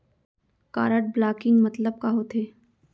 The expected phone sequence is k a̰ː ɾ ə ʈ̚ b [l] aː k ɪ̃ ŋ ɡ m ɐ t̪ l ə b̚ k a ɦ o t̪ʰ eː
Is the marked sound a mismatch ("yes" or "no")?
no